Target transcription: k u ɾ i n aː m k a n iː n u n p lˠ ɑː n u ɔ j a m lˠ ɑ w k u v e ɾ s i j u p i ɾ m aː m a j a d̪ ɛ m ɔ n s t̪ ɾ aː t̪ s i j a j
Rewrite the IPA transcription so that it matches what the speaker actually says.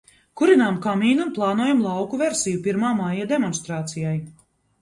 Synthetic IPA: k u ɾ i n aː m k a m iː n u n p lˠ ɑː n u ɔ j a m lˠ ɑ w k u v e ɾ s i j u p i ɾ m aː m a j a d̪ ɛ m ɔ n s t̪ ɾ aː t̪ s i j a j